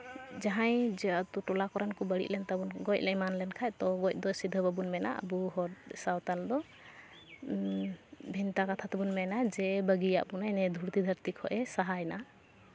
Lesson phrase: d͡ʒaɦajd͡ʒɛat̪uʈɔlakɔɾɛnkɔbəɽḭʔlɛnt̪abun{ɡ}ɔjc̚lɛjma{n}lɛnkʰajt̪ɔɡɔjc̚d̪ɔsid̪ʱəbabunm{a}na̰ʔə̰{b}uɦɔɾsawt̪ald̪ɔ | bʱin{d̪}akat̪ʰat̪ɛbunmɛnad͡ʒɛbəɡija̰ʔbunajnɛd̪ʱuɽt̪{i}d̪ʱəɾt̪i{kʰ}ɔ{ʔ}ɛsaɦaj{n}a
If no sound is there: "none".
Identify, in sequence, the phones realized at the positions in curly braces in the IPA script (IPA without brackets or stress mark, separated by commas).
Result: ɡ, n, ɛ, b, t̪, i, kʰ, ʔ, n